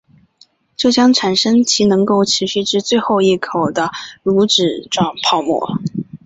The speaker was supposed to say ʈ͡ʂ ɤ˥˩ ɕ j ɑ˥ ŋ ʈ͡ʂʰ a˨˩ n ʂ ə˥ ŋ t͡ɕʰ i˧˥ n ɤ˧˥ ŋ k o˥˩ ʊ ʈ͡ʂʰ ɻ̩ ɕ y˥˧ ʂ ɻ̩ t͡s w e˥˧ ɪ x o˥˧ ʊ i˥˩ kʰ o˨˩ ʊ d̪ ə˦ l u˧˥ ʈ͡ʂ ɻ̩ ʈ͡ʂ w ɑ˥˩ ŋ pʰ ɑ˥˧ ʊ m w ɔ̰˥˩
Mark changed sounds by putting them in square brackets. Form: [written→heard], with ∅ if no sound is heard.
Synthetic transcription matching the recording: ʈ͡ʂ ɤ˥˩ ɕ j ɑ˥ ŋ ʈ͡ʂʰ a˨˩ n ʂ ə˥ ŋ t͡ɕʰ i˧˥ n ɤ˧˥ ŋ k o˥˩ ʊ ʈ͡ʂʰ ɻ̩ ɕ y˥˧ [ʂ→ʈ͡ʂ] ɻ̩ t͡s w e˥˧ ɪ x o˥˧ ʊ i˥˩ kʰ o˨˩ ʊ d̪ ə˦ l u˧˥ ʈ͡ʂ ɻ̩ ʈ͡ʂ w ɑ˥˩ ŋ pʰ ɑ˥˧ ʊ m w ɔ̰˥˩